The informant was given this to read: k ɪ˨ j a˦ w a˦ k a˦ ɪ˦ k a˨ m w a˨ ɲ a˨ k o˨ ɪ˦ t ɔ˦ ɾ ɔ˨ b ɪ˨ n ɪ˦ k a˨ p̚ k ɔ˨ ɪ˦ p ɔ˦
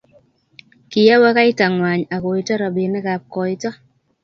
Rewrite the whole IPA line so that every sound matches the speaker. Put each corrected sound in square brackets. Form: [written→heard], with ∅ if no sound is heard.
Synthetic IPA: k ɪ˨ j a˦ w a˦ k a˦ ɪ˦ [k→t] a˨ [m→ŋ] w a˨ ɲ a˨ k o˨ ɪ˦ t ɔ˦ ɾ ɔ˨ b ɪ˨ n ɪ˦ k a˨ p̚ k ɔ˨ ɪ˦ [p→t] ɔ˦